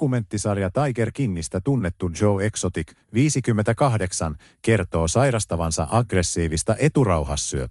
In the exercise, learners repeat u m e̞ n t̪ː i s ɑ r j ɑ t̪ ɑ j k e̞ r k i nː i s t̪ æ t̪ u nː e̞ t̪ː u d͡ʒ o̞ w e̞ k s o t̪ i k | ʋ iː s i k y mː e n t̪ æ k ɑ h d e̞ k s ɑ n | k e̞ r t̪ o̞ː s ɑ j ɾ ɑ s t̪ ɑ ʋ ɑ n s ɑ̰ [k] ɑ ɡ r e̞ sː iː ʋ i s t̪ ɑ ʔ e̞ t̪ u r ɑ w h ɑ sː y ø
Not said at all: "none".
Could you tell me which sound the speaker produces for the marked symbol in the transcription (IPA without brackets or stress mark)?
ʔ